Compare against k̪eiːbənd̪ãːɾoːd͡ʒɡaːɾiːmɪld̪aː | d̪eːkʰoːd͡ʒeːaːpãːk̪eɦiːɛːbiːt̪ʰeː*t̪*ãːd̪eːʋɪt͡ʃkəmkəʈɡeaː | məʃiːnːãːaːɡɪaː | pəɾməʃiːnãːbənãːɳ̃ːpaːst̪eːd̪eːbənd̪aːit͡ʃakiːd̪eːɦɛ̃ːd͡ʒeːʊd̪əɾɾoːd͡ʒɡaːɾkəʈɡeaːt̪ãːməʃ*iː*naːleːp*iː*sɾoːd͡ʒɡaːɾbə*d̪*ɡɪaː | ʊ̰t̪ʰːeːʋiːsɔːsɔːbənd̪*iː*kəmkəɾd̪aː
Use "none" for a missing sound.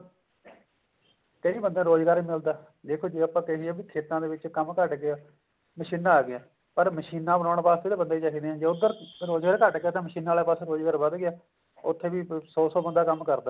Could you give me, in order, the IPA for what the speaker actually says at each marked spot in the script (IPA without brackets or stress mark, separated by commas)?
t̪, iː, aː, d̪, aː